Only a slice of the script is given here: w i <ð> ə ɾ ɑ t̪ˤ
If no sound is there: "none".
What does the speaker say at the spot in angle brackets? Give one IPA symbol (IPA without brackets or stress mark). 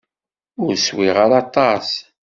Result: ʁ